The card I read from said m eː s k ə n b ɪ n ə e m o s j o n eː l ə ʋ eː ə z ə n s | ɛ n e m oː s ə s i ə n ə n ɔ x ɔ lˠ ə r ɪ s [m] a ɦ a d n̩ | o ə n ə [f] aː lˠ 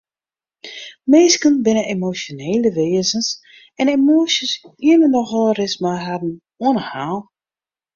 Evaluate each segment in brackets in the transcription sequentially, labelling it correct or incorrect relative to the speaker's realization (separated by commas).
correct, incorrect